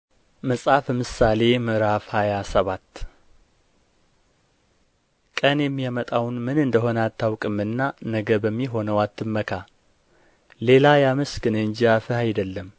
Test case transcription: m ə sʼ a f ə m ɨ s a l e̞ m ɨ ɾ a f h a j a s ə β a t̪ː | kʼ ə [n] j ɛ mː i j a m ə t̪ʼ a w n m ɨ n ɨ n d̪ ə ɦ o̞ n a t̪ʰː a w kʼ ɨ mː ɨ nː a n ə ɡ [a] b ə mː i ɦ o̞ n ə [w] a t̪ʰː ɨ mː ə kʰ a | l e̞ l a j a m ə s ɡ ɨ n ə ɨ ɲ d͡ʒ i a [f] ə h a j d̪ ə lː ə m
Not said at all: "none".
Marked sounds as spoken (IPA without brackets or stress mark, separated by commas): n, ə, w, f